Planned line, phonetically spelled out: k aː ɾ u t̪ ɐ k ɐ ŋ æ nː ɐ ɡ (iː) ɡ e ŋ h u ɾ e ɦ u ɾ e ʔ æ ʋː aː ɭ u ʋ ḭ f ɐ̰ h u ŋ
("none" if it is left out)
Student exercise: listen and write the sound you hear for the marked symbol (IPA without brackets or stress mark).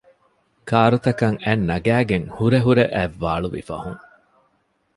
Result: æː